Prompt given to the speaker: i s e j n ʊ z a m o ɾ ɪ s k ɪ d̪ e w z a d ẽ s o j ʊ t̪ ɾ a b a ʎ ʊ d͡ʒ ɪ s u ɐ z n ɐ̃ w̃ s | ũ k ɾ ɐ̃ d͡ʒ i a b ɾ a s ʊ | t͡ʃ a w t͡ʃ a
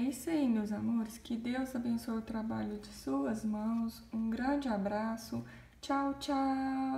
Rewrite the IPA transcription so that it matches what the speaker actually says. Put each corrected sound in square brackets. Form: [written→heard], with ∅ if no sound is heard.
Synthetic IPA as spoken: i s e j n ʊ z a m o ɾ ɪ s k ɪ d̪ e w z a [d→b] ẽ s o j ʊ t̪ ɾ a b a ʎ ʊ d͡ʒ ɪ s u ɐ z [n→m] ɐ̃ w̃ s | ũ [k→ɡ] ɾ ɐ̃ d͡ʒ [i→ɪ] a b ɾ a s ʊ | t͡ʃ a w t͡ʃ a

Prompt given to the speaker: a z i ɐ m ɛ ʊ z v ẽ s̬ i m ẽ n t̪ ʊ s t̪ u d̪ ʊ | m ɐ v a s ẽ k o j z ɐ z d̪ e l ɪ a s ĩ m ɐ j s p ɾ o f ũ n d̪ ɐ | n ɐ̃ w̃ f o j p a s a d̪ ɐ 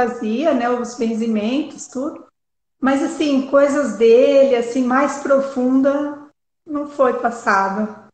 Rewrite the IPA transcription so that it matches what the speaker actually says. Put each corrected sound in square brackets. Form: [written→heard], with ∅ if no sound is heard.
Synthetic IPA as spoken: a z i ɐ [m→n] ɛ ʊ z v ẽ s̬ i m ẽ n t̪ ʊ s t̪ u d̪ ʊ | m ɐ [v→z] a s [ẽ→ĩ] k o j z ɐ z d̪ e l ɪ a s ĩ m [ɐ→a] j s p ɾ o f ũ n d̪ ɐ | n ɐ̃ w̃ f o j p a s a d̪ ɐ

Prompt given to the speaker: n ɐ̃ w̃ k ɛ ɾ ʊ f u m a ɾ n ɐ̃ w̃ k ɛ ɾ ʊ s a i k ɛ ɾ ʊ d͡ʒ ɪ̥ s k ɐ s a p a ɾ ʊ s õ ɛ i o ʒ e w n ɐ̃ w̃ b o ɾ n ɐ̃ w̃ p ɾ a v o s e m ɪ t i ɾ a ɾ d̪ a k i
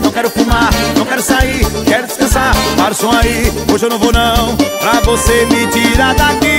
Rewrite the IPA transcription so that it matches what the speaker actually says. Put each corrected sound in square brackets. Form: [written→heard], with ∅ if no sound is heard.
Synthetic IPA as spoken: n ɐ̃ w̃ k ɛ ɾ ʊ f u m a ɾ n ɐ̃ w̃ k ɛ ɾ ʊ s a i k ɛ ɾ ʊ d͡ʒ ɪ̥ s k [ɐ→ɐ̃] s a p a ɾ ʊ s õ [ɛ→a] i o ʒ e w n ɐ̃ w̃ [b→v] o [ɾ→∅] n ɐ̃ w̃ p ɾ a v o s e m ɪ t i ɾ a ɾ d̪ a k i

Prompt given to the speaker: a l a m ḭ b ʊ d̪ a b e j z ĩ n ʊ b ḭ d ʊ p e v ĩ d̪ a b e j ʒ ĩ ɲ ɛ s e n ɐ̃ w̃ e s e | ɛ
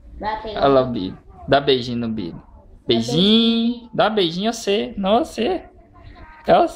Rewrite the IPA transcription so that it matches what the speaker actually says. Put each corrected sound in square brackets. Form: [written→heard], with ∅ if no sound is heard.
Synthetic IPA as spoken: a l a [m→b] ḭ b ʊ d̪ a b e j [z→ʒ] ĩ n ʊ b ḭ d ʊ [p→b] e [v→ʒ] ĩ d̪ a b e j ʒ ĩ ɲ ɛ s e n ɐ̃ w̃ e s e | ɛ

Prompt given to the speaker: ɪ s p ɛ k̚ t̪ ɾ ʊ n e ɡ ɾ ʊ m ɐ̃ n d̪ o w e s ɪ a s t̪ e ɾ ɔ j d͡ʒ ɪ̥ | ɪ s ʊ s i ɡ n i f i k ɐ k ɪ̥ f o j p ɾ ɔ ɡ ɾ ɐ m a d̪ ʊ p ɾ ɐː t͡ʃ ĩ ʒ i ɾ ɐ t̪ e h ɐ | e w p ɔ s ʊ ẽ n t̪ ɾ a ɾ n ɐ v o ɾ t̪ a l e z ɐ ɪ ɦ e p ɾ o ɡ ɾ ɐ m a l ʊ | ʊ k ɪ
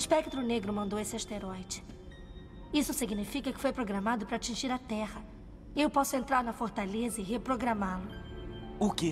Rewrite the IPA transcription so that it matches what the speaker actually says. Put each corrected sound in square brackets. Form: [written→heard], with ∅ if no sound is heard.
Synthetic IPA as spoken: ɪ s p ɛ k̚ t̪ ɾ ʊ n e ɡ ɾ ʊ m ɐ̃ n d̪ o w e s ɪ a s t̪ e ɾ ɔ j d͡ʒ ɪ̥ | [ɪ→i] s ʊ s i ɡ n i f i k ɐ k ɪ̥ f o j p ɾ [ɔ→o] ɡ ɾ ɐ m a d̪ ʊ p ɾ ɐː t͡ʃ ĩ ʒ i ɾ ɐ t̪ [e→ɛ] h ɐ | e w p ɔ s ʊ ẽ n t̪ ɾ a ɾ n ɐ [v→f] o ɾ t̪ a l e z ɐ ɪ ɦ e p ɾ o ɡ ɾ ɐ m a l ʊ | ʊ k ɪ

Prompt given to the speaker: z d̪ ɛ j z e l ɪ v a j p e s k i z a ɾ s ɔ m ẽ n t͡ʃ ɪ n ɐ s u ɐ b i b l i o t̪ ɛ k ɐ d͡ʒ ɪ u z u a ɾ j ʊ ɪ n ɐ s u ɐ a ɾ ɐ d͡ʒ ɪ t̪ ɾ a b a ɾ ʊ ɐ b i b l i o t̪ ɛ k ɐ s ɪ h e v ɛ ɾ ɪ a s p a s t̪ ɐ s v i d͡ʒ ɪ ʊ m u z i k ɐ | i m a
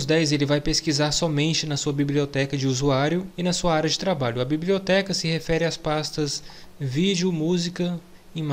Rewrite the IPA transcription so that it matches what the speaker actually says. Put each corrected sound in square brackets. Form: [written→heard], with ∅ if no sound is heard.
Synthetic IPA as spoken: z d̪ ɛ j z e l ɪ v a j p e s k i z a ɾ s ɔ m ẽ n t͡ʃ ɪ n ɐ s u ɐ b i b l i o t̪ ɛ k ɐ d͡ʒ ɪ u z u a ɾ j ʊ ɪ n ɐ s u ɐ a ɾ ɐ d͡ʒ ɪ t̪ ɾ a b a [ɾ→ʎ] ʊ ɐ b i b l i o t̪ ɛ k ɐ s ɪ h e [v→f] ɛ ɾ ɪ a s p a s t̪ ɐ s v i d͡ʒ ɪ ʊ m u z i k ɐ | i m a

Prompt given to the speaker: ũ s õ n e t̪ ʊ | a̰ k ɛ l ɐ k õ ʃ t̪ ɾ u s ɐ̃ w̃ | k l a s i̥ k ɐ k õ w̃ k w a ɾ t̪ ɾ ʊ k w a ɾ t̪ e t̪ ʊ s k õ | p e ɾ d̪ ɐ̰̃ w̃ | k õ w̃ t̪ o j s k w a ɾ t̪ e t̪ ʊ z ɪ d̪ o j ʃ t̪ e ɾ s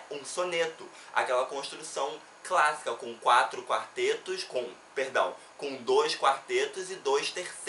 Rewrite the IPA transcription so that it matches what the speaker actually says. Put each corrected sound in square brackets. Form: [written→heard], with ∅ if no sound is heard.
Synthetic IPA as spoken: ũ s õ n e t̪ ʊ | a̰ k ɛ l ɐ k õ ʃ t̪ ɾ u s ɐ̃ w̃ | k l a s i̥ k ɐ k õ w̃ k w a [ɾ→∅] t̪ ɾ ʊ k w a ɾ t̪ e t̪ ʊ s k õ | p e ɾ d̪ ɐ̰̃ w̃ | k õ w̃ [t̪→d̪] o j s k w a ɾ t̪ e t̪ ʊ z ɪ d̪ o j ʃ t̪ e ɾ s

